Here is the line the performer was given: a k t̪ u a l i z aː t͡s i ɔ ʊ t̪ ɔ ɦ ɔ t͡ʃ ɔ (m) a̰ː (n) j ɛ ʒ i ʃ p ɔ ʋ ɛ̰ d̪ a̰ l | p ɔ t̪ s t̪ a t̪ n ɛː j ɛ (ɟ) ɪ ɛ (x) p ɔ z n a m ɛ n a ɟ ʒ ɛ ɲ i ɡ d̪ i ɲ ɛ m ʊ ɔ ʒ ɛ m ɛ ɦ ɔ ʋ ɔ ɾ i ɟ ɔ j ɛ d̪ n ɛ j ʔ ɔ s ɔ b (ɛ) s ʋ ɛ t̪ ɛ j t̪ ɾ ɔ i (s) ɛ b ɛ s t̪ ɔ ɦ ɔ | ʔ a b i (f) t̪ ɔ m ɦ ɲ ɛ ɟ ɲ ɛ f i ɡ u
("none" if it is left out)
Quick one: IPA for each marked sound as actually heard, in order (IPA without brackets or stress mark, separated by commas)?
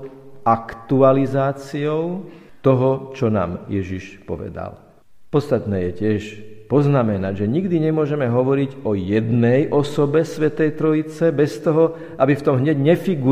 n, m, c, ʃ, ɛ, t͡s, f